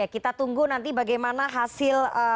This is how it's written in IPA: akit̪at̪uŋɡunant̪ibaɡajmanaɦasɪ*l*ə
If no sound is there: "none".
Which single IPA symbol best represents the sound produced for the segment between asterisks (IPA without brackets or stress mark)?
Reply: l